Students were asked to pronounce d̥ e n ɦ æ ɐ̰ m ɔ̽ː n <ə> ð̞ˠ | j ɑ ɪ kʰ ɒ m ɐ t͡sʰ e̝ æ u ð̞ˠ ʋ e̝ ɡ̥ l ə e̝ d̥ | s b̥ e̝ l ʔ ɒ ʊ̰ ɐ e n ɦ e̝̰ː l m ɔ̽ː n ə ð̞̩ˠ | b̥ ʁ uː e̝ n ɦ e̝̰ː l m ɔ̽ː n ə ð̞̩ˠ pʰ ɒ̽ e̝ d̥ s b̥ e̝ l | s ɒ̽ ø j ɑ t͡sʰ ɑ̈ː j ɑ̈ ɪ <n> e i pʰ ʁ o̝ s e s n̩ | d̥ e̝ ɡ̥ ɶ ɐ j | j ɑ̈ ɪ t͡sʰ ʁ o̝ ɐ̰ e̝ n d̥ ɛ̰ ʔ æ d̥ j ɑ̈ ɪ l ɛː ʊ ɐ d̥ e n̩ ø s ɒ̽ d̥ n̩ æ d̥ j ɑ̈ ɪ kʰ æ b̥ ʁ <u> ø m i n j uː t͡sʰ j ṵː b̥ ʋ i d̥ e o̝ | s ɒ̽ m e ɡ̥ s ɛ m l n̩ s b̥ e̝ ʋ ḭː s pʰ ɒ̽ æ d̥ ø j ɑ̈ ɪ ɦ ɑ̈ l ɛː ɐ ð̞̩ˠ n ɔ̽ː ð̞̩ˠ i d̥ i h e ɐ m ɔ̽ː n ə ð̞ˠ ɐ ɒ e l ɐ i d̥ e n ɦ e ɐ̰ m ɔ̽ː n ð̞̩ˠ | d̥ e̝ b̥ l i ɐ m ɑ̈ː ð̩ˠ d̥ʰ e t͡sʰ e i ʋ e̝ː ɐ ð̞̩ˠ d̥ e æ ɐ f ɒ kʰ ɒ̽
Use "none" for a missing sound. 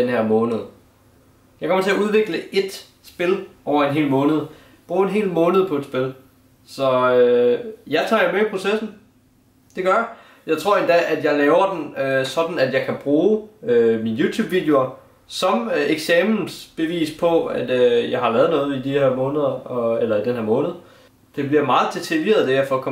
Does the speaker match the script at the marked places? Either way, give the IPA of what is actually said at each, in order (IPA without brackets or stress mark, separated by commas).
ə, m, uː